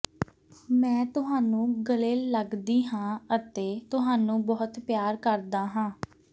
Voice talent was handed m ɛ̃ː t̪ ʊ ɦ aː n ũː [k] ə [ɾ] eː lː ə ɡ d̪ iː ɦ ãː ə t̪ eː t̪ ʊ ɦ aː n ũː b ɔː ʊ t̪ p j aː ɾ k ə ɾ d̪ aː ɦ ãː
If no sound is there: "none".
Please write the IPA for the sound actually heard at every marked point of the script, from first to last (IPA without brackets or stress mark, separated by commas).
ɡ, l